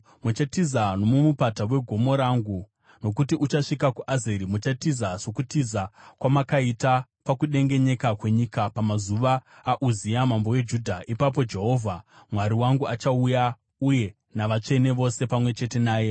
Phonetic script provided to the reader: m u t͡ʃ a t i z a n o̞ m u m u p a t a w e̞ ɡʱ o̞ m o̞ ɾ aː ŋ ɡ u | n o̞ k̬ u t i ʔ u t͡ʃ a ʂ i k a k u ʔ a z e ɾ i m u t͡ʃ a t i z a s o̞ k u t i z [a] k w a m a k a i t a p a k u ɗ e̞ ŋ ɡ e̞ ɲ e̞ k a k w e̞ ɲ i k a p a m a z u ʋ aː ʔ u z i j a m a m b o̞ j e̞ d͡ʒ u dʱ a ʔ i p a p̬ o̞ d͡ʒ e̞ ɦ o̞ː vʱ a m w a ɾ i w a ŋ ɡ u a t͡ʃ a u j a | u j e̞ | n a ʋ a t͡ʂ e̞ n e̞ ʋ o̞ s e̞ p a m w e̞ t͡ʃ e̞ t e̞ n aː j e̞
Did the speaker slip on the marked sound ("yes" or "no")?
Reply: no